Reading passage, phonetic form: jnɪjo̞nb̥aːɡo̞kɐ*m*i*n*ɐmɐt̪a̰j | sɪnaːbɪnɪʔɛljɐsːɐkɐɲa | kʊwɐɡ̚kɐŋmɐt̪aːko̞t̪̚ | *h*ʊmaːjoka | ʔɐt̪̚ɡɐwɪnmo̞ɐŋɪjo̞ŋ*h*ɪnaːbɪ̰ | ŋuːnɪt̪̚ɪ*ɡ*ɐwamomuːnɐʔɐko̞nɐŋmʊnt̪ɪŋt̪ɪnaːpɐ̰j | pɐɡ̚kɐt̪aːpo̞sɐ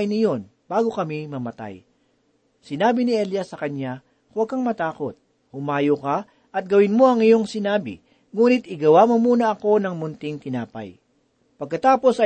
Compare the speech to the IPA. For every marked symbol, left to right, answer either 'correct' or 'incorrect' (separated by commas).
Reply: correct, incorrect, correct, incorrect, correct